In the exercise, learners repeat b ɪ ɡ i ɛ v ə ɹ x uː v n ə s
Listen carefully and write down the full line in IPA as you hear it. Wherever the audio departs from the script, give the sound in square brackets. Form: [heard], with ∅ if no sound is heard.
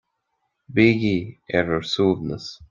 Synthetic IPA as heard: b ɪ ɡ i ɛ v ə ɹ [s] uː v n ə s